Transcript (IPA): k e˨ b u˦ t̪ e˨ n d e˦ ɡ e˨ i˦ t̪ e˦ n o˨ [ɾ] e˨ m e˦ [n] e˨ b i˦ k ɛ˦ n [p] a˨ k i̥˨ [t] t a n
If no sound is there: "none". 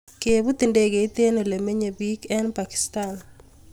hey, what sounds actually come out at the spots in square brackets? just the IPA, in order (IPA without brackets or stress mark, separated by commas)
l, ɲ, p, s